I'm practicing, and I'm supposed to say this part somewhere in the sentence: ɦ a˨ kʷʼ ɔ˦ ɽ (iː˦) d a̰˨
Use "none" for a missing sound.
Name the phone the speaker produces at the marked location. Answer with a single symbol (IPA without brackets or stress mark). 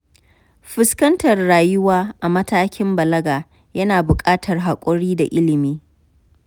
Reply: iː˦